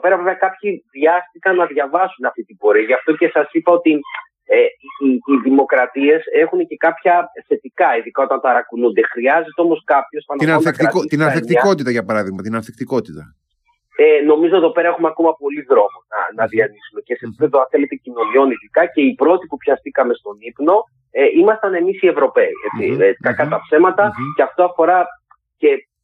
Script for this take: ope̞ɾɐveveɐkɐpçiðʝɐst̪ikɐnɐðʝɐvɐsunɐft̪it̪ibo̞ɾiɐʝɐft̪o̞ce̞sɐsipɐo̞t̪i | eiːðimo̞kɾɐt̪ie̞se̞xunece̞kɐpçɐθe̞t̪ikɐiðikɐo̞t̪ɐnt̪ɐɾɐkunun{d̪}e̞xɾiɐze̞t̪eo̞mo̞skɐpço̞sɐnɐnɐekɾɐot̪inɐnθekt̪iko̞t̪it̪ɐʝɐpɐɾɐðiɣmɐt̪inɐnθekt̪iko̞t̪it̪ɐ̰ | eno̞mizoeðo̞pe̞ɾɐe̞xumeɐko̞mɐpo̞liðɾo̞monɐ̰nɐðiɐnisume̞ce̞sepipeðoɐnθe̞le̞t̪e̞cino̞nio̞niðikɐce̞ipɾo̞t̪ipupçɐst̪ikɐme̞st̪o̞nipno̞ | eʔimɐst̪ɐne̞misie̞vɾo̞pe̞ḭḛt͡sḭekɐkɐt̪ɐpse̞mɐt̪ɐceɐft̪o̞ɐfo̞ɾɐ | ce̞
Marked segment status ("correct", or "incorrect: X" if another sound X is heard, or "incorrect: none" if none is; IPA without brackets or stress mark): correct